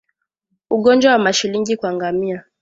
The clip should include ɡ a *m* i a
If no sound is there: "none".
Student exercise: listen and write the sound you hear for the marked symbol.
m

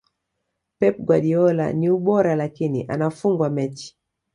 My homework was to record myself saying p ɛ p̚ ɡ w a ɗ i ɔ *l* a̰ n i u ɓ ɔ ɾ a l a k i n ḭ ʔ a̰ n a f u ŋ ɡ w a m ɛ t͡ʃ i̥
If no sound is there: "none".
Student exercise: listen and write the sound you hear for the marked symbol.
l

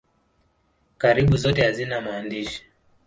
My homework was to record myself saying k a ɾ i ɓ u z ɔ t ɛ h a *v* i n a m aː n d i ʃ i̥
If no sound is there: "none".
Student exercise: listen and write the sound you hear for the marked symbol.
z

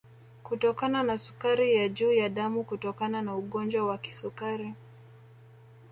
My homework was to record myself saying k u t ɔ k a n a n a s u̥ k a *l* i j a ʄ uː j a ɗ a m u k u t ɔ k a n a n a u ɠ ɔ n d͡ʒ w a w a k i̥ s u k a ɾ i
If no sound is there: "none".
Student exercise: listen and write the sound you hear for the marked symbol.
ɾ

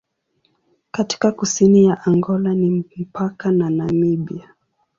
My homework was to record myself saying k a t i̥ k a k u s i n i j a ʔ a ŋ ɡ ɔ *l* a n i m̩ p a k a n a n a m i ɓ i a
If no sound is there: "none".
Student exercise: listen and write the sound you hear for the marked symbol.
l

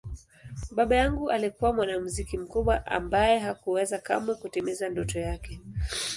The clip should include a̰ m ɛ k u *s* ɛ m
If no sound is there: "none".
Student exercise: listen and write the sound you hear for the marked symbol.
t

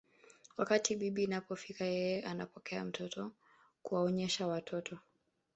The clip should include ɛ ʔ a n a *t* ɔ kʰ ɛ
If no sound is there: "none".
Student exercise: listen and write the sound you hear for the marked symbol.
p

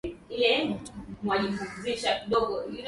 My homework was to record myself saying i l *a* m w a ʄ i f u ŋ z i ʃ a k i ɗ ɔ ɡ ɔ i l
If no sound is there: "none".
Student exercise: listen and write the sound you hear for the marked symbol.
ɛ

